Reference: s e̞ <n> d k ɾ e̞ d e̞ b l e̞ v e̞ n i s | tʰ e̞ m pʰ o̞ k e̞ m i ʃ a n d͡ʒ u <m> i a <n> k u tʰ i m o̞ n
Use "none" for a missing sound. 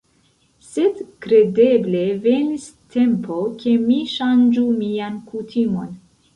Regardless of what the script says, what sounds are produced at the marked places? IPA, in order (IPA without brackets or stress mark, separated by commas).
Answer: none, m, n